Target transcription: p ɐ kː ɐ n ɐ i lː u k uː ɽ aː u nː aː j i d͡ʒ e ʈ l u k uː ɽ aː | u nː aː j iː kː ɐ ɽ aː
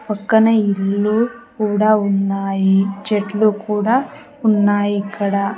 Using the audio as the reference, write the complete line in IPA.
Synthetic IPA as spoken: p ɐ kː ɐ n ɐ i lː u k uː ɽ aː u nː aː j i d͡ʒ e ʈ l u k uː ɽ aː | u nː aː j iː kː ɐ ɽ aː